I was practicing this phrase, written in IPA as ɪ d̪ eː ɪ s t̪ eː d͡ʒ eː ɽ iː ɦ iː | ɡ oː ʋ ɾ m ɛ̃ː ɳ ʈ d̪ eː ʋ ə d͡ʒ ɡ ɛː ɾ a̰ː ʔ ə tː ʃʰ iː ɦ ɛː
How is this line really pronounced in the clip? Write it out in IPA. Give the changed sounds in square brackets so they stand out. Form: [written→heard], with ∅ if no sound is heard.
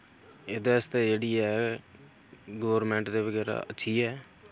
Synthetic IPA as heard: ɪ d̪ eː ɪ s t̪ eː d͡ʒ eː ɽ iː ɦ [iː→ɛː] | ɡ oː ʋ ɾ m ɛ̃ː ɳ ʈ d̪ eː ʋ ə [d͡ʒ→∅] ɡ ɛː ɾ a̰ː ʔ ə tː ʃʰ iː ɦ ɛː